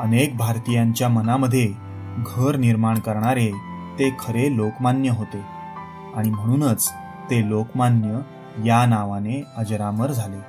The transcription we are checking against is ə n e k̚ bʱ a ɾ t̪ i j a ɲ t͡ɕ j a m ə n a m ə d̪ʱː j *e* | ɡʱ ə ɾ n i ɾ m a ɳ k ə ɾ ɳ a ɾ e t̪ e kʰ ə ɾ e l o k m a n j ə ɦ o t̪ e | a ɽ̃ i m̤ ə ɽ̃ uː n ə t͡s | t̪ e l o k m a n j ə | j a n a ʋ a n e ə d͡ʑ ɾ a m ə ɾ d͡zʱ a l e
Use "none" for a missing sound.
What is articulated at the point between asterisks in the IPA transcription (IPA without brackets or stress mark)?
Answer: e